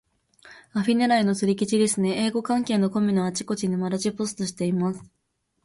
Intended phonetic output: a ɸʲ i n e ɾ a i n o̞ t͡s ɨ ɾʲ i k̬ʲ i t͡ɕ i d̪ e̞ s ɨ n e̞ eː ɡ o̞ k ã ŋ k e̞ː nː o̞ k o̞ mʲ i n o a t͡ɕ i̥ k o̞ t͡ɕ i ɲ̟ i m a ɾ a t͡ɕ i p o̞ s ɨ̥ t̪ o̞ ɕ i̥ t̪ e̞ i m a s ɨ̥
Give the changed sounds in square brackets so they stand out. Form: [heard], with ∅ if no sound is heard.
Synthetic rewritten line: a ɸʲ i n e ɾ a i n o̞ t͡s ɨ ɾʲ i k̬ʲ i t͡ɕ i d̪ e̞ s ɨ n e̞ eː ɡ o̞ k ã ŋ k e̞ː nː o̞ k o̞ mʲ i n o a t͡ɕ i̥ k o̞ t͡ɕ i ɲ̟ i m a ɾ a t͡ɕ i p o̞ s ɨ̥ t̪ o̞ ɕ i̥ t̪ e̞ i m a s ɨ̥

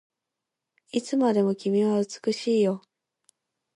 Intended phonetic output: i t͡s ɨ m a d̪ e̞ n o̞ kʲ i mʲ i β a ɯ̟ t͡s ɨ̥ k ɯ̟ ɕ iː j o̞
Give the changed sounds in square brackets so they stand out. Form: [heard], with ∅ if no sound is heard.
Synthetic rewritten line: i t͡s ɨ m a d̪ e̞ [m] o̞ kʲ i mʲ i β a ɯ̟ t͡s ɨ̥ k ɯ̟ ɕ iː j o̞

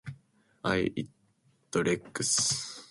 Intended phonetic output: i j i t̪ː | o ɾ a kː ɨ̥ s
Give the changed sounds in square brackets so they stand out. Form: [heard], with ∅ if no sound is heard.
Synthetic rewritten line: [a] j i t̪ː | o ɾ [e] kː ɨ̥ s

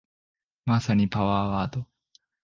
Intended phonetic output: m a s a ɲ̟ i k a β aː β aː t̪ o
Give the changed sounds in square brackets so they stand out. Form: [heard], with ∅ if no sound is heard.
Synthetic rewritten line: m a s a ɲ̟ i [p] a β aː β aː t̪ o

